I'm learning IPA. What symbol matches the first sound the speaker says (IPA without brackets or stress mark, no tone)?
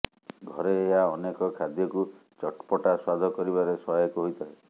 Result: ɡʱ